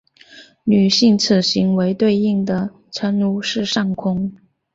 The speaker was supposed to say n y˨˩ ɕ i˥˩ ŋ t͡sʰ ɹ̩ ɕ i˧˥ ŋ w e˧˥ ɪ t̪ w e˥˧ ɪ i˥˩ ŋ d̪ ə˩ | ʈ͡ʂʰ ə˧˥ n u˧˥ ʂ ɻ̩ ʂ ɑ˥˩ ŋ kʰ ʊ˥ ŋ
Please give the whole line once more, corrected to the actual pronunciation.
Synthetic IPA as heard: n y˨˩ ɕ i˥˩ ŋ t͡sʰ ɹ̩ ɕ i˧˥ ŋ w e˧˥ ɪ t̪ w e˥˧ ɪ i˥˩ ŋ d̪ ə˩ | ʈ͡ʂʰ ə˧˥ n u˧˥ ʂ ɻ̩ ʂ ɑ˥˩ ŋ kʰ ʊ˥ ŋ